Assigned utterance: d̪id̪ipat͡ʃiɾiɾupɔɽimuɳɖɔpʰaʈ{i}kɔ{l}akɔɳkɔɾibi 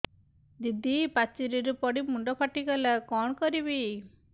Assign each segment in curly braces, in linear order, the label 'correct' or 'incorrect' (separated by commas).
correct, correct